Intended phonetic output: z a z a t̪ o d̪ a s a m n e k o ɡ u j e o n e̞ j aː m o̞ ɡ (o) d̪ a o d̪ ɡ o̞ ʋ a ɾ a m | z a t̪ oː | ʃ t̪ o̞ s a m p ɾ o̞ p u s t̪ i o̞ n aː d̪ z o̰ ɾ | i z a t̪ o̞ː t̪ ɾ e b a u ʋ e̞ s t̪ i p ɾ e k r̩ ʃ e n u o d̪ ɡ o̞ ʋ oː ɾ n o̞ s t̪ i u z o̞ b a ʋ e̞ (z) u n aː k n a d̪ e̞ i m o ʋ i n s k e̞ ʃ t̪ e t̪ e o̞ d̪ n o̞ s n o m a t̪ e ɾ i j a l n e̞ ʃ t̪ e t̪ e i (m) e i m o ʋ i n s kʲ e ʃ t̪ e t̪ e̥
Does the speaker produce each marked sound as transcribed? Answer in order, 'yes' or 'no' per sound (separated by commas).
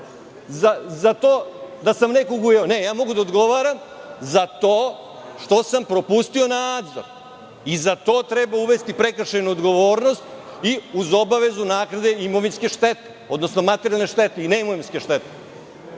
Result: no, yes, no